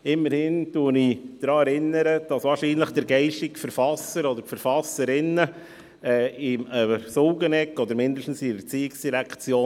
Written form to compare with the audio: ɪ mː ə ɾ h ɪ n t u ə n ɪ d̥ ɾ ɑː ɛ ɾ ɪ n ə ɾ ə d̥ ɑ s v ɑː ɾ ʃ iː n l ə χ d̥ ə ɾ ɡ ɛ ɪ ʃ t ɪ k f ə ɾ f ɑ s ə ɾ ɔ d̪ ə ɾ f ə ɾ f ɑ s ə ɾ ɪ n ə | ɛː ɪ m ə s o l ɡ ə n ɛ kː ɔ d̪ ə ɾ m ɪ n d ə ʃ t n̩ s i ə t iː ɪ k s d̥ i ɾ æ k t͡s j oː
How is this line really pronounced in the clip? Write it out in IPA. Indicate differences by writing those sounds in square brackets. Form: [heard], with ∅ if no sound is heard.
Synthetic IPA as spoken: ɪ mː ə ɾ h ɪ n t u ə n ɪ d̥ ɾ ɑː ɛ ɾ ɪ n ə ɾ ə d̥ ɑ s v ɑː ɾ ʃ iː n l ə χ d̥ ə ɾ ɡ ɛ ɪ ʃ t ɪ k f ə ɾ f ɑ s ə ɾ ɔ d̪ ə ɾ f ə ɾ f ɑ s ə ɾ ɪ n ə | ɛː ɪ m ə s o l ɡ ə n ɛ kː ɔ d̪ ə ɾ m ɪ n d ə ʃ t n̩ s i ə [t͡s] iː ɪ k s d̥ i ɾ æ k t͡s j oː